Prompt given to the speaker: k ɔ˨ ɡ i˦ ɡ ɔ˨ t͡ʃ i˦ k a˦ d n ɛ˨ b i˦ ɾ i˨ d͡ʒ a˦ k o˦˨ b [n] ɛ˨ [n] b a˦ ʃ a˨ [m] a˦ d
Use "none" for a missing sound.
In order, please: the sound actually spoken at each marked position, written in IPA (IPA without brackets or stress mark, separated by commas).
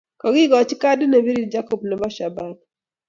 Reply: n, none, b